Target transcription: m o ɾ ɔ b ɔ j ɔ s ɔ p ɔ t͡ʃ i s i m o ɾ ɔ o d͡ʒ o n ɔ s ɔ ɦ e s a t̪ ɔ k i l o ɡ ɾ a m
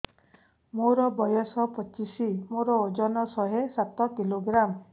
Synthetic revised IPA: m o ɾ ɔ b ɔ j ɔ s ɔ p ɔ t͡ʃ i s i m o ɾ ɔ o d͡ʒ ɔ n ɔ s ɔ ɦ e s a t̪ ɔ k i l o ɡ ɾ a m